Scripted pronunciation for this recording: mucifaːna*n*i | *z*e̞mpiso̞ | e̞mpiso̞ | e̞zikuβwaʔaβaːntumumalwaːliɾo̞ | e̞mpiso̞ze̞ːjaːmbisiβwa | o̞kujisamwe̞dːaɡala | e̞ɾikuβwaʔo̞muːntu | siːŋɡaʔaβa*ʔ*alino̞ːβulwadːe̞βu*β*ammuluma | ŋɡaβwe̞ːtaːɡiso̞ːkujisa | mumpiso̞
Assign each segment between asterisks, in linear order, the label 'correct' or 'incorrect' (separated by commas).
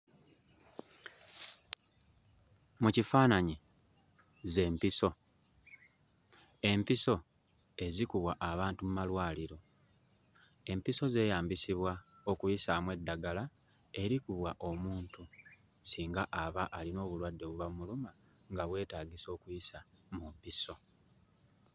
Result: incorrect, correct, correct, correct